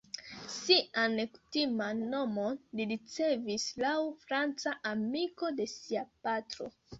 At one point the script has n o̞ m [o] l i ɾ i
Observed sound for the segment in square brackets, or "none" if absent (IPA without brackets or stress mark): o